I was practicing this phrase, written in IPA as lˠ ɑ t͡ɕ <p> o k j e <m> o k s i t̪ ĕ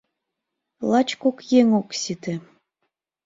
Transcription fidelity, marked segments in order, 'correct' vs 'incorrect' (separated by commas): incorrect, incorrect